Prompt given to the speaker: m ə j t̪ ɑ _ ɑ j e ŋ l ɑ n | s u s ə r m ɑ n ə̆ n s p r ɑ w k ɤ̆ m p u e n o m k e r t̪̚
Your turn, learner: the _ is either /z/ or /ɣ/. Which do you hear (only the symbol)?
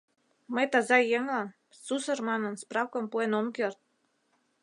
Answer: z